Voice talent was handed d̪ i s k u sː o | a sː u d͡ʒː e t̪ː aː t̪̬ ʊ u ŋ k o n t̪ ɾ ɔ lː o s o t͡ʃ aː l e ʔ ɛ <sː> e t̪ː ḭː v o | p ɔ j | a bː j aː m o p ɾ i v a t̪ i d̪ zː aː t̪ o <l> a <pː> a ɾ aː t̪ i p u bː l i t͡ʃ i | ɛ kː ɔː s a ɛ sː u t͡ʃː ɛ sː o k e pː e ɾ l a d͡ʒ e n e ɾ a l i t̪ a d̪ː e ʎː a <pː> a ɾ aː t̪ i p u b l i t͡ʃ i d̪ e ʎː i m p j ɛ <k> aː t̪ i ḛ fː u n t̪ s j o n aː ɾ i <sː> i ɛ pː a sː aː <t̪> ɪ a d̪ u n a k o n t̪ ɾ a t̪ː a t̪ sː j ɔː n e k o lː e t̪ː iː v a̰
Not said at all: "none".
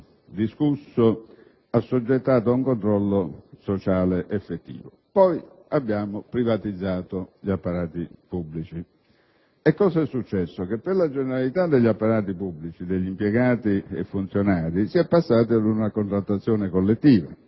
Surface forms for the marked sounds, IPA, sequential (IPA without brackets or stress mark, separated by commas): fː, ʎ, pː, pː, ɡ, s, t̪